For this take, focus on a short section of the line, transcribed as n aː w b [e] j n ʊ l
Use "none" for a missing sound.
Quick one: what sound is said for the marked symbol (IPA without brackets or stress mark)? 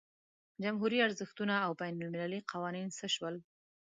a